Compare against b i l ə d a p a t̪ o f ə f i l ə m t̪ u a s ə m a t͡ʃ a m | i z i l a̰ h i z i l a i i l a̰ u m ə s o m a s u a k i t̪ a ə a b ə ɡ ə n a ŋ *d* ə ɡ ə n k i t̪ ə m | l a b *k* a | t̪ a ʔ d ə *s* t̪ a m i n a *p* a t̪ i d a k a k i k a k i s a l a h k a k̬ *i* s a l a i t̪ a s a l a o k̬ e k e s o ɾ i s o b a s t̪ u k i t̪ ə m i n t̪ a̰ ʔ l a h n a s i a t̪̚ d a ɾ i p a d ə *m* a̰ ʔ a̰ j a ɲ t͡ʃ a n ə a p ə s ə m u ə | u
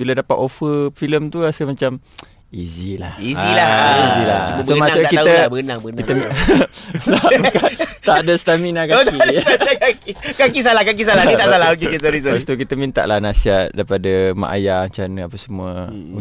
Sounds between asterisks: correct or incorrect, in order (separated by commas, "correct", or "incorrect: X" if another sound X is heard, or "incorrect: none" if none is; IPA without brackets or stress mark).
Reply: incorrect: b, correct, correct, incorrect: k, correct, correct